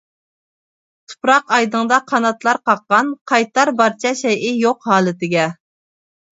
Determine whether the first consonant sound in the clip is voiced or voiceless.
voiceless